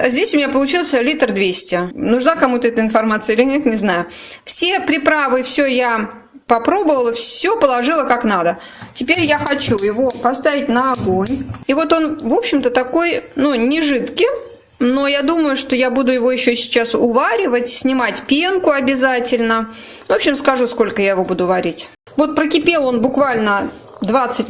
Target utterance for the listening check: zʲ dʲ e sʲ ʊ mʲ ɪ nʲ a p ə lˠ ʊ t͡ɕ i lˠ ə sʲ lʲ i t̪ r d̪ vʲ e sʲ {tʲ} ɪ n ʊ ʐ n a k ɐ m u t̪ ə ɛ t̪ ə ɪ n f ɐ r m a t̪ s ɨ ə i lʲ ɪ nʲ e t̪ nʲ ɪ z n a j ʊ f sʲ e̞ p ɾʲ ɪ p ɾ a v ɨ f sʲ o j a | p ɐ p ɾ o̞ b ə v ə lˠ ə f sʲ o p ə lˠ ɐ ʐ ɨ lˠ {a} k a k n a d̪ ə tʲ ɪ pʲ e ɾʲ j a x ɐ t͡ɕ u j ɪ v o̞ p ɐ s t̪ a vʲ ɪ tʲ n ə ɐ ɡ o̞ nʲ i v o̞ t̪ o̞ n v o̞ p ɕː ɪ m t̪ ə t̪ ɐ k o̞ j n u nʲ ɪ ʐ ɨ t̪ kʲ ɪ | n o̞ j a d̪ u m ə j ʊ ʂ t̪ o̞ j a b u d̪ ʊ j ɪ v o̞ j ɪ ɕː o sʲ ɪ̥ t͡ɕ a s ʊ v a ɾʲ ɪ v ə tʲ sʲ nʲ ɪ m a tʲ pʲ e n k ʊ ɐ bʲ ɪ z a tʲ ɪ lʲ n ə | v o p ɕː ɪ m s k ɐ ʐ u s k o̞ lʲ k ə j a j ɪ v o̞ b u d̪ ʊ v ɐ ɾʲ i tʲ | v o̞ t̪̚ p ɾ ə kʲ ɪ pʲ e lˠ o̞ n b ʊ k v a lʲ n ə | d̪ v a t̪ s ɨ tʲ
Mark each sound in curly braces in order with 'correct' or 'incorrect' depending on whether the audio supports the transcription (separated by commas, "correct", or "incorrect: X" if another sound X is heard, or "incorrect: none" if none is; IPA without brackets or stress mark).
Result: correct, incorrect: ə